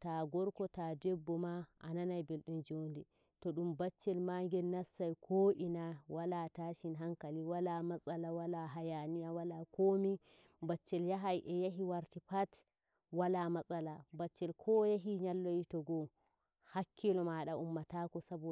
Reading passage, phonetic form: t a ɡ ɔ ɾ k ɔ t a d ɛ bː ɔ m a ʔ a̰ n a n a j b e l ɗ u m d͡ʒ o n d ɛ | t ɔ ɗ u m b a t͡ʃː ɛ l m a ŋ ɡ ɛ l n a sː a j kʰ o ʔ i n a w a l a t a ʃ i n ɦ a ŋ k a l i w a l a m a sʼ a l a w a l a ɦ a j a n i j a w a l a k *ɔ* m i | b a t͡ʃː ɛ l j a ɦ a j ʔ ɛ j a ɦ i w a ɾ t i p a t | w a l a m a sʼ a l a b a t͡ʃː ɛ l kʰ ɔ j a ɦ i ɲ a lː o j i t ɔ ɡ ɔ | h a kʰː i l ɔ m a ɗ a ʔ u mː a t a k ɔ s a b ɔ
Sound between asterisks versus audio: incorrect: o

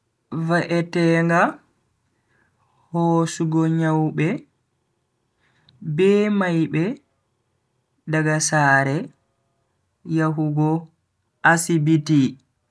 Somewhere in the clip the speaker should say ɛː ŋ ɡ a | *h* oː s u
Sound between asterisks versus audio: correct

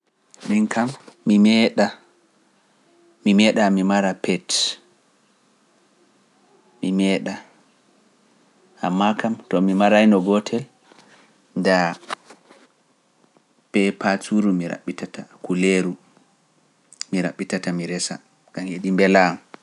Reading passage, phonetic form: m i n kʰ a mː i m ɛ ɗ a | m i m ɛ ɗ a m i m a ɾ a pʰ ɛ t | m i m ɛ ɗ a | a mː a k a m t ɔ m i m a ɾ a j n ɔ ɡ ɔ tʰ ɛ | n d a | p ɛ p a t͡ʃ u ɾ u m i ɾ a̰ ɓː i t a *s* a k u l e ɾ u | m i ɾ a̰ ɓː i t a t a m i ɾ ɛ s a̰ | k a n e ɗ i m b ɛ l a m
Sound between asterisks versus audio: incorrect: t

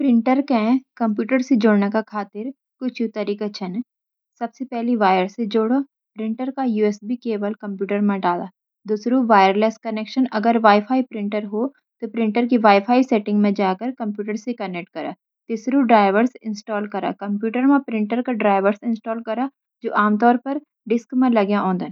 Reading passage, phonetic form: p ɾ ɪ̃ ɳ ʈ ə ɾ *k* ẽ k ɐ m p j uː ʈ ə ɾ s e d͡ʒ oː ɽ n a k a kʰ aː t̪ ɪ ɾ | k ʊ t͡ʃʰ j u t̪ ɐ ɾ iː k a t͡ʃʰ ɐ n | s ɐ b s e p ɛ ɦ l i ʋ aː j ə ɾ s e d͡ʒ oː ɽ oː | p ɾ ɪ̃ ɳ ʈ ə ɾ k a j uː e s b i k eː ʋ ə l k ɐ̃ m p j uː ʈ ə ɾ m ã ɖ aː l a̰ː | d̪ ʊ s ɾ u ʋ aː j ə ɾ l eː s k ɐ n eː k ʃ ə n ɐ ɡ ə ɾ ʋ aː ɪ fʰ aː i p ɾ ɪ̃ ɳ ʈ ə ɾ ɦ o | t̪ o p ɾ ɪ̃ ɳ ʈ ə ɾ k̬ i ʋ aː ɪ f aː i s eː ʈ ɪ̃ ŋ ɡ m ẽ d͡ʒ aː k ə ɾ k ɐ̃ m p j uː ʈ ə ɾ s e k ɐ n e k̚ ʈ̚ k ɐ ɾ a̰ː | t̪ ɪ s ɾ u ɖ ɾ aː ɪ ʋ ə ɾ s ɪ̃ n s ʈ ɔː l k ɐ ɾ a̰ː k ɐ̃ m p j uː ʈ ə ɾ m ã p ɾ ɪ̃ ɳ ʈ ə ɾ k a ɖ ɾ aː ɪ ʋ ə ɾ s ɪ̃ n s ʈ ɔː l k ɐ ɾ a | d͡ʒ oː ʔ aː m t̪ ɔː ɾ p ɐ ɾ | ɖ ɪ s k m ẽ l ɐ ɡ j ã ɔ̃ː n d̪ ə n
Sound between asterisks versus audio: correct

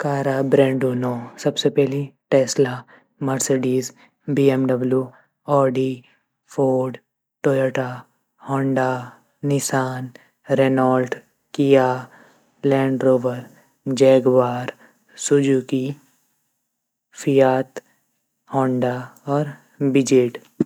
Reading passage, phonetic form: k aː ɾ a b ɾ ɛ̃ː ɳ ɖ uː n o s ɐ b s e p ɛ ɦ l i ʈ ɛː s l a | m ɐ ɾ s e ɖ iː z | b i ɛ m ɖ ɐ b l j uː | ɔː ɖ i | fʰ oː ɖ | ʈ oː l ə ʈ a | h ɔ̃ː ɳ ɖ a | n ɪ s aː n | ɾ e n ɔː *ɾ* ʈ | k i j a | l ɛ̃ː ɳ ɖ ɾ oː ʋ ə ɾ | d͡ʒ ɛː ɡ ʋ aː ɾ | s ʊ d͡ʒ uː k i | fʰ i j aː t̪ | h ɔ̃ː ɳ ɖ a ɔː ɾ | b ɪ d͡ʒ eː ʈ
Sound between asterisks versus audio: incorrect: l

